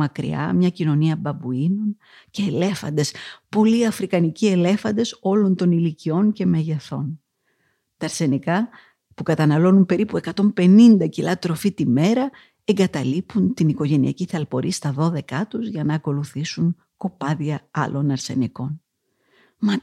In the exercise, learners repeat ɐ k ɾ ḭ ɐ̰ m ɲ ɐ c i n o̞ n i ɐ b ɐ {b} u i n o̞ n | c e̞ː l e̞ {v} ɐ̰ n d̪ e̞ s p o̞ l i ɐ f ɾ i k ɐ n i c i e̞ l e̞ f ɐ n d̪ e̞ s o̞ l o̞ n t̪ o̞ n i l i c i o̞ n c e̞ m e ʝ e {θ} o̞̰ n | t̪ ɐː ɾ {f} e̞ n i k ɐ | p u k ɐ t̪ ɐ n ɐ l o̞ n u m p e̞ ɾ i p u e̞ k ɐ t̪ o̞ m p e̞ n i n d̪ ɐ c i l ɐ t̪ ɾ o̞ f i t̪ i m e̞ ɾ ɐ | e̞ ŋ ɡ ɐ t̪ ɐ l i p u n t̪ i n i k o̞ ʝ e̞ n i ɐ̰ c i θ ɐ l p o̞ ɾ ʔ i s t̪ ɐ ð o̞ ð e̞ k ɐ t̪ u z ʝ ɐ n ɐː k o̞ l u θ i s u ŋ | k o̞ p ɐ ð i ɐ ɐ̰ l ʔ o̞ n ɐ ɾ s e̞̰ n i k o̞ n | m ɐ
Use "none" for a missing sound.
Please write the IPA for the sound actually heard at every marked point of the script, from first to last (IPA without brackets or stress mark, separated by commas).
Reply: b, f, θ, s